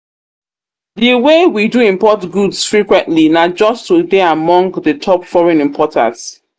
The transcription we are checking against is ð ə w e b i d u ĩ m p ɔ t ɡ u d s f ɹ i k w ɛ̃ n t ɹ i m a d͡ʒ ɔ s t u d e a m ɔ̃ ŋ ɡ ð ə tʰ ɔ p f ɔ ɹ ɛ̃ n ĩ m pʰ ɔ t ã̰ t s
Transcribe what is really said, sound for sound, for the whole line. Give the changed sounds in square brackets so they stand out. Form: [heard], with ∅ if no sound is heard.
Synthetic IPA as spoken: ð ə w e [w] i d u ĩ m p ɔ t ɡ u d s f ɹ i k w ɛ̃ n t [l] i [n] a d͡ʒ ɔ s t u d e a m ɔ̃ ŋ ɡ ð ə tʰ ɔ p f ɔ ɹ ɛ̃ n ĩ m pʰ ɔ t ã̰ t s